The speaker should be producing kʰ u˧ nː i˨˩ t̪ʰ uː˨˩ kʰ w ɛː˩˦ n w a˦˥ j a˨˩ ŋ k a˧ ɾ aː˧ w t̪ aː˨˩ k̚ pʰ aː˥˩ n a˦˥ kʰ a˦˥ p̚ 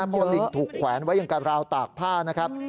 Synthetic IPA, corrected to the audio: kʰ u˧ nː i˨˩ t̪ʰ uː˨˩ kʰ w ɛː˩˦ n w a˦˥ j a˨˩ ŋ k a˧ ɾ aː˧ w t̪ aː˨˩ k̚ pʰ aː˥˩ n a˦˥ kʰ a˦˥ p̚